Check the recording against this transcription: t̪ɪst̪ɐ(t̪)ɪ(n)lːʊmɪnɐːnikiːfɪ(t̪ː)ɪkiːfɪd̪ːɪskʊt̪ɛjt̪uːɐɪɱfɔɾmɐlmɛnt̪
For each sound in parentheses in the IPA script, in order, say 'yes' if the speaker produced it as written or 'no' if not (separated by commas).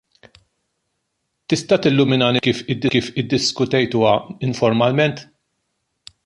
yes, no, no